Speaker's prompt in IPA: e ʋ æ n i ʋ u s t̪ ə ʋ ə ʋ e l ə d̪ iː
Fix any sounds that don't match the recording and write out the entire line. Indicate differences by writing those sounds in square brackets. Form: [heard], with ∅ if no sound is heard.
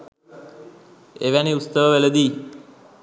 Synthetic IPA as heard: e ʋ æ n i [∅] u s t̪ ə ʋ ə ʋ e l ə d̪ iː